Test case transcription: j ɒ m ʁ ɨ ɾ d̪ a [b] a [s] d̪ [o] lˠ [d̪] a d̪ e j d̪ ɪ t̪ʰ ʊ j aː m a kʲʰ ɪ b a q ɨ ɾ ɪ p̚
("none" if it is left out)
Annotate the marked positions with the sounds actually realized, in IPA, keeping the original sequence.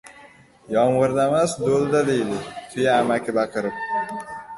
m, s, o, d̪

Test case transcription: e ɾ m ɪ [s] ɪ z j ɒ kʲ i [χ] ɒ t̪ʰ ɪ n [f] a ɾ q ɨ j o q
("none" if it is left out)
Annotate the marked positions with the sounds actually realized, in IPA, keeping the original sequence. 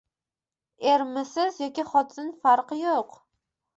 s, χ, f

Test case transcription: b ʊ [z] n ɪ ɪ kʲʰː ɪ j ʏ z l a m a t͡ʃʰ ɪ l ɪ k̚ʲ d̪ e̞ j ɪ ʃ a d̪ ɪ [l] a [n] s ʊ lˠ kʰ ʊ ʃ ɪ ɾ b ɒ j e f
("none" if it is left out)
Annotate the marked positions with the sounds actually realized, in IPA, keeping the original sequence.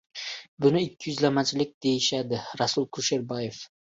none, ɾ, none

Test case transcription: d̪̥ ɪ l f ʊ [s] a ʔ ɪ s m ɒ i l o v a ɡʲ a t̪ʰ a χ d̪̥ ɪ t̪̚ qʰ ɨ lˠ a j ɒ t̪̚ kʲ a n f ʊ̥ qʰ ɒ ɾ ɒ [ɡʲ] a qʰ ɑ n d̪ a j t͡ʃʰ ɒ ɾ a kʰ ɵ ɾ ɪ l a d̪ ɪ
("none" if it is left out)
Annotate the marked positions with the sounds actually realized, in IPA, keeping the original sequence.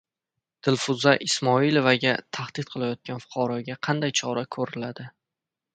z, ɡʲ

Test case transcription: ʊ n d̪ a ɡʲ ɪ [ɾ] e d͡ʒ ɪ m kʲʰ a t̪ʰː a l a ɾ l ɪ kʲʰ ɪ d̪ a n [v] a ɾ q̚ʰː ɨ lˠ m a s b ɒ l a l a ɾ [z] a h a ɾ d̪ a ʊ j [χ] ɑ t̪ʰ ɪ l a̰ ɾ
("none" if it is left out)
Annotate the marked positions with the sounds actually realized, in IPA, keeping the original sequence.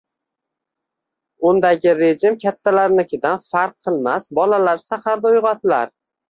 ɾ, f, s, ʁ

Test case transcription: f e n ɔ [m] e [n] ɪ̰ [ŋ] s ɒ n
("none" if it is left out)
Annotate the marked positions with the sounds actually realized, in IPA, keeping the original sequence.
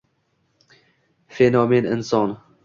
m, n, n

